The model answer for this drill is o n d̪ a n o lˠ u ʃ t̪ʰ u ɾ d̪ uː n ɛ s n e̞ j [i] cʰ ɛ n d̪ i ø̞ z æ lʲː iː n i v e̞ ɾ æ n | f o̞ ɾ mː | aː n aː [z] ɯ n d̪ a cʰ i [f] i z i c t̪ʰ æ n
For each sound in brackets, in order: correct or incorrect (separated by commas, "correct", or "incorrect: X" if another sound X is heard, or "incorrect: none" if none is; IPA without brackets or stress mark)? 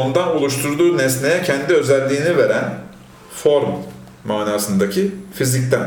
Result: incorrect: ɛ, incorrect: s, correct